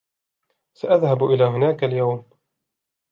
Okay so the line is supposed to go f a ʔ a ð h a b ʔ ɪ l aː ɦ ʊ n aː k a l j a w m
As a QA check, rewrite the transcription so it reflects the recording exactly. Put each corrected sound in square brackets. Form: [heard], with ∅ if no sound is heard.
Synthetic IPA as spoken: [s] a ʔ a ð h a b ʔ ɪ l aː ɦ ʊ n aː k a l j a w m